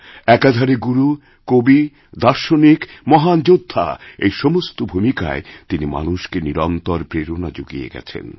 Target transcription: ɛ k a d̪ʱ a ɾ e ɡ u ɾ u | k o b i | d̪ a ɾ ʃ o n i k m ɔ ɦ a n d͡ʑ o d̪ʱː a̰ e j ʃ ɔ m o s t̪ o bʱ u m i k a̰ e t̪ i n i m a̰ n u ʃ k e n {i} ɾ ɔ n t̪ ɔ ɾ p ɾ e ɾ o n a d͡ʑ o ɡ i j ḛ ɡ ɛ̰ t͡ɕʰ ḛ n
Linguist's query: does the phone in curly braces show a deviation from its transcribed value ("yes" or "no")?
no